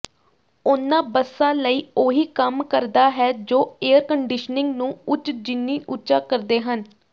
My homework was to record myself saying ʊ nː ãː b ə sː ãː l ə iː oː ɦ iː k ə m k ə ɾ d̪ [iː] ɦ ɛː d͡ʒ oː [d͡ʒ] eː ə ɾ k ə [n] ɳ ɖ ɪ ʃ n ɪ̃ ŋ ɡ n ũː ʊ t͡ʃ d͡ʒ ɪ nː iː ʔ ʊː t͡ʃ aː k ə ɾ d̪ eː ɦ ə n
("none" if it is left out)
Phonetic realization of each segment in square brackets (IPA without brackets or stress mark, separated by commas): aː, none, none